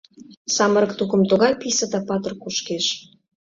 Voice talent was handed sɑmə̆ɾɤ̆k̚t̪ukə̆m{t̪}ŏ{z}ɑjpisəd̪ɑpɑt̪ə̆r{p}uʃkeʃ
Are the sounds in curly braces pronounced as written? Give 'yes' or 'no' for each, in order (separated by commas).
yes, no, no